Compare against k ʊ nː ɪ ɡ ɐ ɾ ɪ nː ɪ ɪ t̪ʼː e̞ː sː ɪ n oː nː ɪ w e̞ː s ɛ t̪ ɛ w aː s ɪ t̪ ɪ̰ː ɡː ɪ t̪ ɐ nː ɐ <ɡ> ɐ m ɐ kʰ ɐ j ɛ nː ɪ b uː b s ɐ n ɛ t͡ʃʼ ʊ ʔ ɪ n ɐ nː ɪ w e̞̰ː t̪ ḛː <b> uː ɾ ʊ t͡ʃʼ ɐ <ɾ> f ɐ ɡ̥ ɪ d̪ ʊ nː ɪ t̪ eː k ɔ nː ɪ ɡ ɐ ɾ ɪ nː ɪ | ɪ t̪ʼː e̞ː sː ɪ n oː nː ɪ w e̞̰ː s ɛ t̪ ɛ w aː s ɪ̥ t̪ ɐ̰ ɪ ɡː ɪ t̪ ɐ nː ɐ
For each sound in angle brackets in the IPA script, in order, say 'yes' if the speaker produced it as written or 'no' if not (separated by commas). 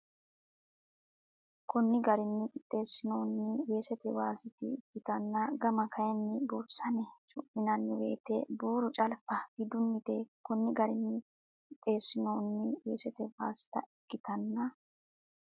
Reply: yes, yes, no